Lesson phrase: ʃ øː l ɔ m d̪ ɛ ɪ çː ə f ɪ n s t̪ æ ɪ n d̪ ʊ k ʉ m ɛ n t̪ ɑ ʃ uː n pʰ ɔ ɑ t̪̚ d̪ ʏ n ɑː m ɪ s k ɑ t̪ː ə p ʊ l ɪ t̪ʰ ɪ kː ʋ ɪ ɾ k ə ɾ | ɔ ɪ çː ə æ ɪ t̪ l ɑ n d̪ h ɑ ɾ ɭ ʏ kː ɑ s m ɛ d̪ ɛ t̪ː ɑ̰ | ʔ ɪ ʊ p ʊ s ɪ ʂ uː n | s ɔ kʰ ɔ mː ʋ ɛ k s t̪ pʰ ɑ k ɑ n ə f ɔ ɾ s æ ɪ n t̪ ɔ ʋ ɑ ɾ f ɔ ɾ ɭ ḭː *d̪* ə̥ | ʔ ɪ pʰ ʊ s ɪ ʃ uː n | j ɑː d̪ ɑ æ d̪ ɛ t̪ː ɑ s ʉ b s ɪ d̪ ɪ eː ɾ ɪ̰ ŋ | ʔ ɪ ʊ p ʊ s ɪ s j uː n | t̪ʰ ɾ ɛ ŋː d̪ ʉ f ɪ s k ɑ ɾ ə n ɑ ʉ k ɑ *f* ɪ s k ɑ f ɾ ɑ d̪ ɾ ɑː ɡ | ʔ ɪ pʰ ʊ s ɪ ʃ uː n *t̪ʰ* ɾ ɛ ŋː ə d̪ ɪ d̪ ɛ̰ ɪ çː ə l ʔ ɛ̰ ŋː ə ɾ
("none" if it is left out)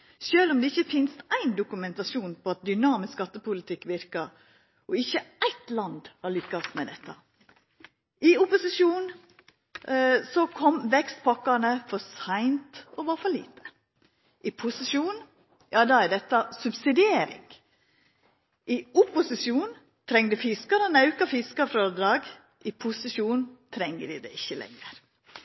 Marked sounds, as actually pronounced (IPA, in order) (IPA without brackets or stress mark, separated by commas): t̪, f, t̪ʰ